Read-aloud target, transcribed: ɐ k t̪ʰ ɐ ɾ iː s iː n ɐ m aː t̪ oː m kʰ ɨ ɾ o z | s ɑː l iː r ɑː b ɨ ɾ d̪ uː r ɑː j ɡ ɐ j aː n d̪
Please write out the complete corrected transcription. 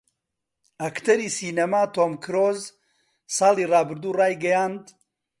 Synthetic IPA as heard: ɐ k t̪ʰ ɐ ɾ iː s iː n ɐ m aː t̪ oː m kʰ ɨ ɾ o z | s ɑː l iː r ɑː b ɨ ɾ d̪ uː r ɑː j ɡ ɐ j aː n d̪

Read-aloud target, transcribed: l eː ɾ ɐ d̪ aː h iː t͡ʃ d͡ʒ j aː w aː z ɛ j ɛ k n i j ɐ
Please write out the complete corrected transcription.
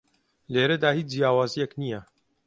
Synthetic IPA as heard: l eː ɾ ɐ d̪ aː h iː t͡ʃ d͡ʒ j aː w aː z i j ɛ k n i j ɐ

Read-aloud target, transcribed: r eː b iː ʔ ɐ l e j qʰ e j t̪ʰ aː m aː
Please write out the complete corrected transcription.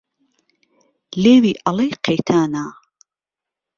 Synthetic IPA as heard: l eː w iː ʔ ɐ l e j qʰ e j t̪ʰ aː n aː

